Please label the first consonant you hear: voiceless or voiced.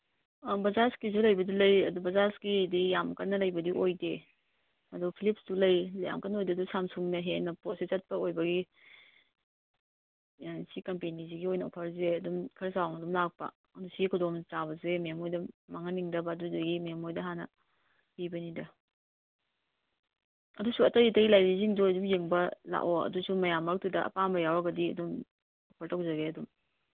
voiced